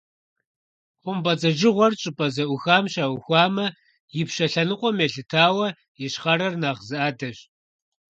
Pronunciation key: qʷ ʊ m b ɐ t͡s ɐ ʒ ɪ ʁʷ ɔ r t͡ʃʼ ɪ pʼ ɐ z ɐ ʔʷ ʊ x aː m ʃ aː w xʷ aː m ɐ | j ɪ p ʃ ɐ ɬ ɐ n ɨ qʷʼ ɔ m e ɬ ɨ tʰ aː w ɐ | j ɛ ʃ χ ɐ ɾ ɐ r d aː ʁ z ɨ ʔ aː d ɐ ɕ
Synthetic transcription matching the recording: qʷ ʊ m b ɐ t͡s ɐ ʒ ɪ ʁʷ ɔ r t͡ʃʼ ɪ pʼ ɐ z ɐ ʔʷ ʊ x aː m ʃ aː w xʷ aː m ɐ | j ɪ p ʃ ɐ ɬ ɐ n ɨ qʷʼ ɔ m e ɬ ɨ tʰ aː w ɐ | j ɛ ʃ χ ɐ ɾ ɐ r n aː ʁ z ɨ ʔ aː d ɐ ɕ